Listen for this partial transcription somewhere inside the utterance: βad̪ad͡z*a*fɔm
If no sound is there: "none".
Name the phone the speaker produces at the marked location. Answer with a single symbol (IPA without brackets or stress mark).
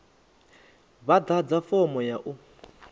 a